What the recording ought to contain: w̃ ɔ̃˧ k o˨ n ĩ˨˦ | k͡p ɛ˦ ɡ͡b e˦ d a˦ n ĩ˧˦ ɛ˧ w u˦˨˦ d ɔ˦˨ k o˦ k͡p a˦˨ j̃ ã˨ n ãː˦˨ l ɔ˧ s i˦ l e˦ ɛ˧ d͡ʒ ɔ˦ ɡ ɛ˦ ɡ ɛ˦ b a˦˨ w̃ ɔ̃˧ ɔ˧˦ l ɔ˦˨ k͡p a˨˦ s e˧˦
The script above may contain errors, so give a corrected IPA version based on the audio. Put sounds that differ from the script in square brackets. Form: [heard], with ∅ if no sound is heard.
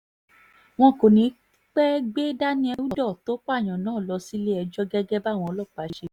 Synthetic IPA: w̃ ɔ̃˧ k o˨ n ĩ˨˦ | k͡p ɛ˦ ɡ͡b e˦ d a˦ n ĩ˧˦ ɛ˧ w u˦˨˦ d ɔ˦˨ [t] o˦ k͡p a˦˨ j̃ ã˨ n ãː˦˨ l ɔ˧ s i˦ l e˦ ɛ˧ d͡ʒ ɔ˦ ɡ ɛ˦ ɡ ɛ˦ b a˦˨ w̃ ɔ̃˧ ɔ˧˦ l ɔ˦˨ k͡p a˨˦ [ʃ] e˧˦